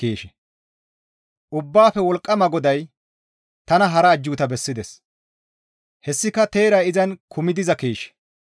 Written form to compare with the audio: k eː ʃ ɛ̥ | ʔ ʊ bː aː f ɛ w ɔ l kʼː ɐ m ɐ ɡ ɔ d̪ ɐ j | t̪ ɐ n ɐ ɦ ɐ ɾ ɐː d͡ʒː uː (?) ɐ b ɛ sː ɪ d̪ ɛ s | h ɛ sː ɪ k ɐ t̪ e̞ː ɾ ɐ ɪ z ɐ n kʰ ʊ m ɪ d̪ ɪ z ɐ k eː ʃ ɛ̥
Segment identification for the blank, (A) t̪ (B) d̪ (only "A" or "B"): A